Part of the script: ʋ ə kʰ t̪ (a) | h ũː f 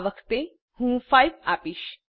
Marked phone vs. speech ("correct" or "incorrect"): incorrect